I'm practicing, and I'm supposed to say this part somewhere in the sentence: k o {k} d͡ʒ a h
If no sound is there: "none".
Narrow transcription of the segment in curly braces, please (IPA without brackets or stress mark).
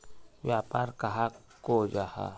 none